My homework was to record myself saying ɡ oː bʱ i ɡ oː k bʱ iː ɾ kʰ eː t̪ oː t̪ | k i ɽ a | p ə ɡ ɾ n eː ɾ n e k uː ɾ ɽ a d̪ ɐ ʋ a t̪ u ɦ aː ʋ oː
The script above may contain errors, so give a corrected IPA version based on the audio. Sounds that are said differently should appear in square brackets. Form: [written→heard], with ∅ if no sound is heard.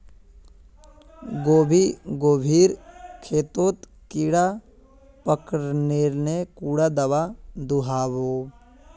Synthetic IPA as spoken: ɡ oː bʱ i ɡ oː [k→∅] bʱ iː ɾ kʰ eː t̪ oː t̪ | k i ɽ a | p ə [ɡ→k] ɾ n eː ɾ n e k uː [ɾ→∅] ɽ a d̪ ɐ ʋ a [t̪→d̪] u ɦ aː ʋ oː